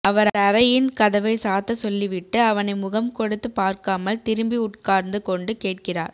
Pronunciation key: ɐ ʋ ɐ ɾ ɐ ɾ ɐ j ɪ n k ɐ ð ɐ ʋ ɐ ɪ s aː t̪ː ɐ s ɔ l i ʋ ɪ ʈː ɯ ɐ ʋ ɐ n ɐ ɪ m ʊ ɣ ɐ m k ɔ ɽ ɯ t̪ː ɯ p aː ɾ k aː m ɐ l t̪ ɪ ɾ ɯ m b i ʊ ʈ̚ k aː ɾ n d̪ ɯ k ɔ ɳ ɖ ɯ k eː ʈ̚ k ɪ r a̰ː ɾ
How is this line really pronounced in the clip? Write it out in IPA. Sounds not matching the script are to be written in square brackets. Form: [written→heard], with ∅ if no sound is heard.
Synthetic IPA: ɐ ʋ ɐ ɾ ɐ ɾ ɐ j ɪ n k ɐ ð ɐ ʋ ɐ ɪ s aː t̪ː ɐ s ɔ [l→lː] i ʋ ɪ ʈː ɯ ɐ ʋ ɐ n ɐ ɪ m ʊ ɣ ɐ m k ɔ ɽ ɯ t̪ː ɯ p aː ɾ k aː m ɐ l t̪ ɪ ɾ ɯ m b i ʊ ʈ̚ k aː ɾ n d̪ ɯ k ɔ ɳ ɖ ɯ k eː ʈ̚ k ɪ r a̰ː ɾ